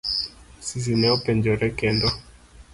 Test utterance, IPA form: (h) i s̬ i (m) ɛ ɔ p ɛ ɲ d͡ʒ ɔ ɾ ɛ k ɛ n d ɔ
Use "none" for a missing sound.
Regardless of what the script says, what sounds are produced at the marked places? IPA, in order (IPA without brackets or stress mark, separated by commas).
s, n